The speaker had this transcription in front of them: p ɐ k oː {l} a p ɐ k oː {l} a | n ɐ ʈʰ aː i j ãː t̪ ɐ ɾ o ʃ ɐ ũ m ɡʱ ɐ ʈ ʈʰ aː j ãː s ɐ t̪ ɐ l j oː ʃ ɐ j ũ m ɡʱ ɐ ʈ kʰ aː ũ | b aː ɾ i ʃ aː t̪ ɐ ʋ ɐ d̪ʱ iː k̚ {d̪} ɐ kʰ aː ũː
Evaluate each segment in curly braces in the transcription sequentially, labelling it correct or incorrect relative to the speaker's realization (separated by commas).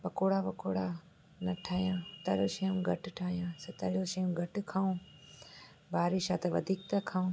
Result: incorrect, incorrect, incorrect